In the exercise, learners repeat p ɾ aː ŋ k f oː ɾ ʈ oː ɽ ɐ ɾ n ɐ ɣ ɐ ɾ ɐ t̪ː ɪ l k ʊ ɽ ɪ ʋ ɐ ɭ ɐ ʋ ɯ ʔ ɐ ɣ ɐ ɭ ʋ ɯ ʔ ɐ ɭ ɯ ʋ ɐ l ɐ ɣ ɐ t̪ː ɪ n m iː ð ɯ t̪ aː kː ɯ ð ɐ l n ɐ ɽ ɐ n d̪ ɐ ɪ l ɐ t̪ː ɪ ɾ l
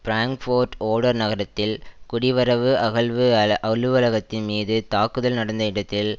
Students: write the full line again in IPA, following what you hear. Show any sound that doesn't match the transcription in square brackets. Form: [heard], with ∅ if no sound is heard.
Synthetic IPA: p ɾ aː ŋ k f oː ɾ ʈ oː ɽ ɐ ɾ n ɐ ɣ ɐ ɾ ɐ t̪ː ɪ l k ʊ ɽ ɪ ʋ ɐ [ɾ] ɐ ʋ ɯ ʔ ɐ ɣ ɐ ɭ ʋ ɯ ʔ ɐ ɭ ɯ ʋ ɐ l ɐ ɣ ɐ t̪ː ɪ n m iː ð ɯ t̪ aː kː ɯ ð ɐ l n ɐ ɽ ɐ n d̪ ɐ ɪ [ɽ] ɐ t̪ː ɪ [∅] l